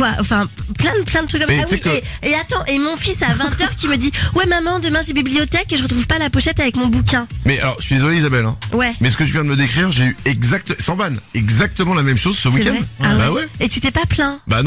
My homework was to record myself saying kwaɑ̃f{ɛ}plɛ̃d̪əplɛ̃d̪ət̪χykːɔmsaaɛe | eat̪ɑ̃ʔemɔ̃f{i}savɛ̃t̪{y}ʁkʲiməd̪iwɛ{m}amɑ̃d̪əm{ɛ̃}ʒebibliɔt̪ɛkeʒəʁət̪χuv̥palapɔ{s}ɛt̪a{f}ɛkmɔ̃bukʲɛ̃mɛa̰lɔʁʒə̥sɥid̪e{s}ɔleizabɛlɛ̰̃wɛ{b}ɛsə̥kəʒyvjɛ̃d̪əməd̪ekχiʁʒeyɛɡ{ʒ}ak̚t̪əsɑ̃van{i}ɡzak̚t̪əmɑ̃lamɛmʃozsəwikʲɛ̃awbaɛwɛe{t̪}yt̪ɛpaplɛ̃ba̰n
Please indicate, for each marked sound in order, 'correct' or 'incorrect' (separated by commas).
incorrect, correct, incorrect, correct, correct, incorrect, incorrect, incorrect, incorrect, incorrect, incorrect, correct